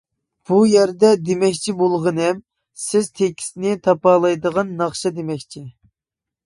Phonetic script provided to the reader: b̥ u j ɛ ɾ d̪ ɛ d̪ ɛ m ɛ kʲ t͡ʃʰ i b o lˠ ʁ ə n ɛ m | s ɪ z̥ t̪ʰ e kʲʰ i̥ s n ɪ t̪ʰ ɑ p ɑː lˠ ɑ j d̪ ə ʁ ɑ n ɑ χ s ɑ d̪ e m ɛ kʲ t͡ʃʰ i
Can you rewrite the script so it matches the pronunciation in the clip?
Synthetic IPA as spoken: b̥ u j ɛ ɾ d̪ ɛ d̪ e m ɛ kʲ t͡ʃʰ i b o lˠ ʁ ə n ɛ m | s ɪ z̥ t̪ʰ e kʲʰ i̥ s n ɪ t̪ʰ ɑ p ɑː lˠ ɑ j d̪ ə ʁ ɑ nː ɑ χ ʃ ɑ d̪ e m ɛ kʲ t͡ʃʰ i